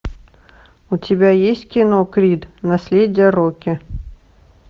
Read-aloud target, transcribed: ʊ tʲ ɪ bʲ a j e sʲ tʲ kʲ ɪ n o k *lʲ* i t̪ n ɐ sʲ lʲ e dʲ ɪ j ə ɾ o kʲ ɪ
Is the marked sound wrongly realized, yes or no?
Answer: yes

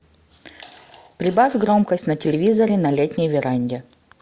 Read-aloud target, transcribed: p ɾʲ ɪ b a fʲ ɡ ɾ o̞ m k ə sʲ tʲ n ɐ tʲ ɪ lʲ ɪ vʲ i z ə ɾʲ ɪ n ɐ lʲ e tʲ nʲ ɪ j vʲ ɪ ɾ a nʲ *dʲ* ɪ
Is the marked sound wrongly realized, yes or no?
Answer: no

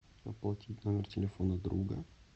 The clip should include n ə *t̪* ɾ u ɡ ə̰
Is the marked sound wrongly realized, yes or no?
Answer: yes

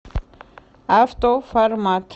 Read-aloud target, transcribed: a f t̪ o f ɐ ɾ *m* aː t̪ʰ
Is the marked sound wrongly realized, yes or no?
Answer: no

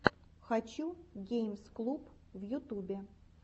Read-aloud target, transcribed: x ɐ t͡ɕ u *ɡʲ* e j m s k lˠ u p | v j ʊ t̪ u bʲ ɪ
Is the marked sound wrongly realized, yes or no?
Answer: no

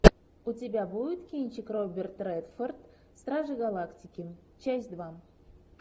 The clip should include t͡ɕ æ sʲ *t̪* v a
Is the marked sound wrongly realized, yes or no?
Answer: yes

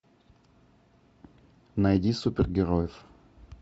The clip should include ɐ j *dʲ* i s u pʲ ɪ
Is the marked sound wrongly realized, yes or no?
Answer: no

